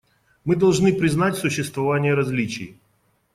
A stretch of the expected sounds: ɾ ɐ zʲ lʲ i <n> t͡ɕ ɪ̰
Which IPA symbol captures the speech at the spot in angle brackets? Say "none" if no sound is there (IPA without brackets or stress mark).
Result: none